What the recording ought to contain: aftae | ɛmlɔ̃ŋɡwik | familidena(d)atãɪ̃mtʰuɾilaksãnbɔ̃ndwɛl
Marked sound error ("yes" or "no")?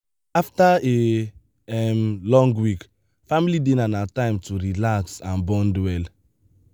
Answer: yes